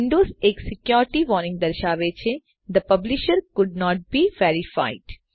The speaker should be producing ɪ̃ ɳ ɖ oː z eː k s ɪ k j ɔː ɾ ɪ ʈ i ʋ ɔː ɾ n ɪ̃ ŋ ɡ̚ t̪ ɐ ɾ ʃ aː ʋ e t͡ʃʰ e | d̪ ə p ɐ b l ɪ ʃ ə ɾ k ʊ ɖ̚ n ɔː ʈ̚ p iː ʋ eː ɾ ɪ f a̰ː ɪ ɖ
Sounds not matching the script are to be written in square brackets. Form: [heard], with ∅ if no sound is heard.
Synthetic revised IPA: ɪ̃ ɳ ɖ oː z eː k s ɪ k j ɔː ɾ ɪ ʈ i ʋ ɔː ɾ n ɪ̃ ŋ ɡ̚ [d̪] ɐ ɾ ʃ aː ʋ e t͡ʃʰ e | d̪ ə p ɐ b l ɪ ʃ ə ɾ k ʊ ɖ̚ n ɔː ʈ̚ [b] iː ʋ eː ɾ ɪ f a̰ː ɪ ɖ